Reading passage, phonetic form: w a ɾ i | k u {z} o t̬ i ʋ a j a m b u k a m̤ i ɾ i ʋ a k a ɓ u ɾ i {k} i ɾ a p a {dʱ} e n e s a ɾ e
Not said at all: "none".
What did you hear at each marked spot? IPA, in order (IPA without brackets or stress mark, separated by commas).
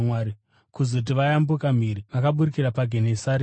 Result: z, k, ɡʱ